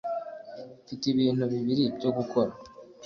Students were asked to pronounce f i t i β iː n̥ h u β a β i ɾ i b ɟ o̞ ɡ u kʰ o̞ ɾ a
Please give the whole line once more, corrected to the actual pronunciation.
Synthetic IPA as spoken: f i t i β iː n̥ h u β i β i ɾ i b ɟ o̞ ɡ u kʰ o̞ ɾ a